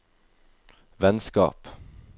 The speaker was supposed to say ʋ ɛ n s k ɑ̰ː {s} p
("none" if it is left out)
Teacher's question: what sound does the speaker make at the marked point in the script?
none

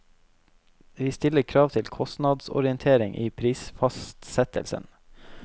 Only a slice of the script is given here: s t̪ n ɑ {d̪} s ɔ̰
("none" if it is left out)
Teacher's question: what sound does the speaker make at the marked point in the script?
d̪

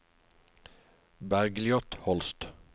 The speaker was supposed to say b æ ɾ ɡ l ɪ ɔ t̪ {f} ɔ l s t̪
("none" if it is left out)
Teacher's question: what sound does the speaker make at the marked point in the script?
h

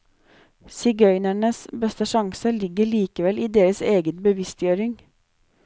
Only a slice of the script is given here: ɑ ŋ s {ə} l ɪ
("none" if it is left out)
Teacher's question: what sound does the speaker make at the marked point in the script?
ə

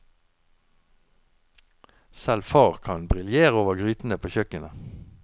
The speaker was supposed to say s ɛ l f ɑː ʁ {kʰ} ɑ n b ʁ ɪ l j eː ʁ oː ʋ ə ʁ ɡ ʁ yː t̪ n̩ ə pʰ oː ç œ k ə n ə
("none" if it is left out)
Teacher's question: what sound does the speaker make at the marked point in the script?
kʰ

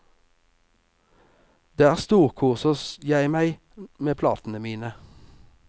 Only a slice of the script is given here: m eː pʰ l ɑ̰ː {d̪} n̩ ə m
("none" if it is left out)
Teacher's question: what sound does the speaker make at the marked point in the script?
t̪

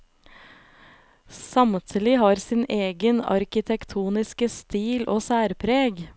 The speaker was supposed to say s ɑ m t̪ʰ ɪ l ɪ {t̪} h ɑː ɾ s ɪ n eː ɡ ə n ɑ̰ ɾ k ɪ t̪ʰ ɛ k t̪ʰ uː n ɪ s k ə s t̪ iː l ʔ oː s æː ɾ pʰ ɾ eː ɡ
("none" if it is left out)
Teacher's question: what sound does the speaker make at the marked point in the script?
none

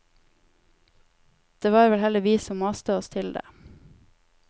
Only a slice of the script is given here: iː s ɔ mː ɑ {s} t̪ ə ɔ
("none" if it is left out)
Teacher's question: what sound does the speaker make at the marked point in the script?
s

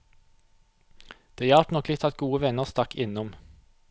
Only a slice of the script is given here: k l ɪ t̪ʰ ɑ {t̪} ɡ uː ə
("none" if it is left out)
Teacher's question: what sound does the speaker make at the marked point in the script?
t̪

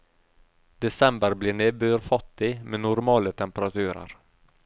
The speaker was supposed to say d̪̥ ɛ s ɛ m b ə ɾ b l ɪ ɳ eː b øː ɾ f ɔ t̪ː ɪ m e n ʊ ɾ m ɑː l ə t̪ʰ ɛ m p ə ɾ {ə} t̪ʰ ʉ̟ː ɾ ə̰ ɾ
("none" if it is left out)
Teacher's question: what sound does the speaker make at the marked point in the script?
a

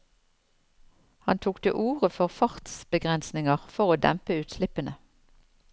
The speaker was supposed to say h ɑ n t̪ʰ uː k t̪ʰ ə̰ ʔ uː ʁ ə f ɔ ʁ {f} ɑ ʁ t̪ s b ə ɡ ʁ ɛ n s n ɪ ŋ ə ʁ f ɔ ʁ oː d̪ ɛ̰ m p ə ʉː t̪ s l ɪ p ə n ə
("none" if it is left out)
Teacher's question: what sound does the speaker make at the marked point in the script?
f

